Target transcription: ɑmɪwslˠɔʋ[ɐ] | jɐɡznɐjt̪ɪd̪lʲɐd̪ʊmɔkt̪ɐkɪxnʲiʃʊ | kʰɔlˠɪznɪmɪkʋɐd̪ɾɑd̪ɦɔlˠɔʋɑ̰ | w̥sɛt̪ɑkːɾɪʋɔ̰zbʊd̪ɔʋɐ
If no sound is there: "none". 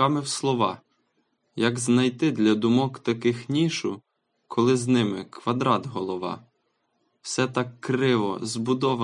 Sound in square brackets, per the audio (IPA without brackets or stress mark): ɑ